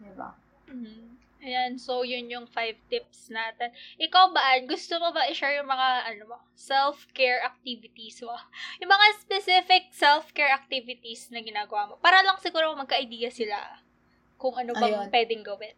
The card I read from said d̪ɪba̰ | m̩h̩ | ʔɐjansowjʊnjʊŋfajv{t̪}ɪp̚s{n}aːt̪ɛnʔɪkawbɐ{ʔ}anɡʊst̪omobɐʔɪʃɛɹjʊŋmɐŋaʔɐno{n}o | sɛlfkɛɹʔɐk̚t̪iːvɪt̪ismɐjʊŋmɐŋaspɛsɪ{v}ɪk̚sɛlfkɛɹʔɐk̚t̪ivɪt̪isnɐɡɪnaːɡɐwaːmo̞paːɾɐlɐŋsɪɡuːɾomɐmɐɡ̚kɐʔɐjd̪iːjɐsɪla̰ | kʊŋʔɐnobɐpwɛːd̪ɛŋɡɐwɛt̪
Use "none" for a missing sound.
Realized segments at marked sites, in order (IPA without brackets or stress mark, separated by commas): t̪, n, ʔ, m, f